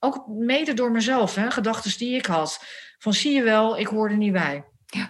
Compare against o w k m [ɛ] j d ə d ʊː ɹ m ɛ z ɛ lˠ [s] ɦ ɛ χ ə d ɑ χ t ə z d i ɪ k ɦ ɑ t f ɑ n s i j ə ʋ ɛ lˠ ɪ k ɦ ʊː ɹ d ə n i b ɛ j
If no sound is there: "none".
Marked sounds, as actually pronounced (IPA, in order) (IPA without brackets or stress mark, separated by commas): e, f